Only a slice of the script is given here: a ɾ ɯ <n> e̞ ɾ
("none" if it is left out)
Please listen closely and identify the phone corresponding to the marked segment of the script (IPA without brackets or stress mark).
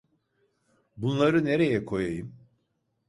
n